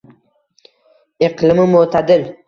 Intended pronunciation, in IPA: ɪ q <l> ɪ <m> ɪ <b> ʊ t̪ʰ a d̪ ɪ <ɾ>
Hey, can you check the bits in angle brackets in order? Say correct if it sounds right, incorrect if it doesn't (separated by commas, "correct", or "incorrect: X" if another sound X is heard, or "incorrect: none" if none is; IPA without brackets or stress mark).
correct, correct, incorrect: m, incorrect: l